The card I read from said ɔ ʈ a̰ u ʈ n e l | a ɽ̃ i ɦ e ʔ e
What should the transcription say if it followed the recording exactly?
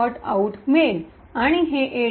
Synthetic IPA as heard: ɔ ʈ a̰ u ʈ m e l | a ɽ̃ i ɦ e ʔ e

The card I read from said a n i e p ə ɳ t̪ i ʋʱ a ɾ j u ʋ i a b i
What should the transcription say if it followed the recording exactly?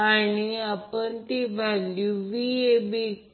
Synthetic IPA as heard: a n i a p ə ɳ t̪ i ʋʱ a l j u ʋ i e b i

